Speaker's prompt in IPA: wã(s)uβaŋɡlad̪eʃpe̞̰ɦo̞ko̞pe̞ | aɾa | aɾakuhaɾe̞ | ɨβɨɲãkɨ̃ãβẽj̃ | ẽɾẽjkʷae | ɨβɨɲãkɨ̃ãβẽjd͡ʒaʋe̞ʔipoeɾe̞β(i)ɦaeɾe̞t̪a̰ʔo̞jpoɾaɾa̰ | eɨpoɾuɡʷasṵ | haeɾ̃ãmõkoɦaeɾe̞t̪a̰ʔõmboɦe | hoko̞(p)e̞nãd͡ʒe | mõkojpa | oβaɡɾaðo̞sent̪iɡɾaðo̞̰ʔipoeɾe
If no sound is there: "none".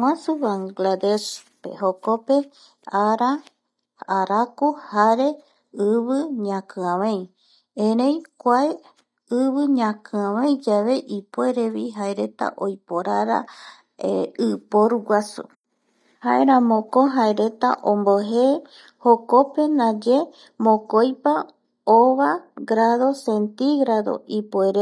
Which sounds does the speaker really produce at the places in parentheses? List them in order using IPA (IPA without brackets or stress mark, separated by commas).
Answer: s, i, p